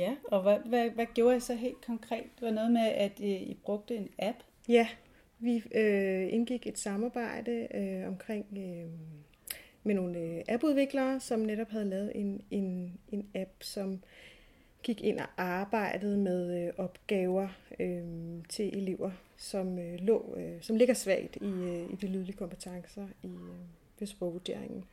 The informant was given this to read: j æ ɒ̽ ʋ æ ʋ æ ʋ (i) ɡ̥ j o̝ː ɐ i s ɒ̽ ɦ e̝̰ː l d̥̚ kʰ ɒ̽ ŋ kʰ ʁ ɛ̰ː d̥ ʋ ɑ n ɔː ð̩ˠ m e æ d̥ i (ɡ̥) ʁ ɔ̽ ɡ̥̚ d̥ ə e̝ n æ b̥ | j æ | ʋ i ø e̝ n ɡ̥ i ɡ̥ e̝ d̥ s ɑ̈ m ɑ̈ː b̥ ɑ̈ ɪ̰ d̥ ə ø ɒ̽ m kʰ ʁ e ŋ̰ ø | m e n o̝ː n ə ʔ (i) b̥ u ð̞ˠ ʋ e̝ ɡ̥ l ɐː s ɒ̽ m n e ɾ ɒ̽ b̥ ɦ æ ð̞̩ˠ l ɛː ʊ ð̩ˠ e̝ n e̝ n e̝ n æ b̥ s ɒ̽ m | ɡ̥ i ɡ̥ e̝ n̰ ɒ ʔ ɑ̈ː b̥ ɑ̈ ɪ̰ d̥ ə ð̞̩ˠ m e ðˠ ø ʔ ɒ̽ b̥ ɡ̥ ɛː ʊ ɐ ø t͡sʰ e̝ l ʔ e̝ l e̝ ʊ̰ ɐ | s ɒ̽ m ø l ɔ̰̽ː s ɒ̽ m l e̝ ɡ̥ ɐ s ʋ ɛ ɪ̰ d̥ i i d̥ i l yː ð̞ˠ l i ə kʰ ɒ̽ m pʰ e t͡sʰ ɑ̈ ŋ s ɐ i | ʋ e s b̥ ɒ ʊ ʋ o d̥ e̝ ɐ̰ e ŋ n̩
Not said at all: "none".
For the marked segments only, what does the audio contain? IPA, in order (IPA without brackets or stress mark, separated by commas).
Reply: æ, b̥, æ